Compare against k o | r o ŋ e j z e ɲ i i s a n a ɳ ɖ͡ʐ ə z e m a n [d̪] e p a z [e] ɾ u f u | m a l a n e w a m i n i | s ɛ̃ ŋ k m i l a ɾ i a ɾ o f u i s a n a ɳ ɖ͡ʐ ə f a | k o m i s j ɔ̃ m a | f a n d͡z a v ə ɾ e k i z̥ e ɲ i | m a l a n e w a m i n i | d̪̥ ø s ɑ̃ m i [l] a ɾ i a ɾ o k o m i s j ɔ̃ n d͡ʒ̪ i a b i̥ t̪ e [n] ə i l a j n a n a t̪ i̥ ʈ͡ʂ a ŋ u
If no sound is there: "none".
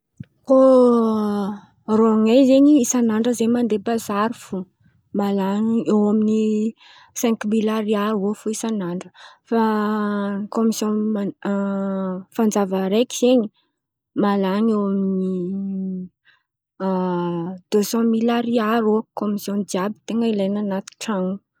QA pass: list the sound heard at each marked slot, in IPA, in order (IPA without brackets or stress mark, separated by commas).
d̪, a, l, ŋ